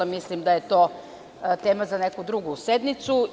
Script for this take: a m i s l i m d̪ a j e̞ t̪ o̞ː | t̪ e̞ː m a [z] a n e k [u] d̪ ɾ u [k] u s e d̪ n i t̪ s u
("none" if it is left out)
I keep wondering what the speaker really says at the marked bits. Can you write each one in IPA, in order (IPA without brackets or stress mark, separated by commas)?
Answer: z, u, ɡ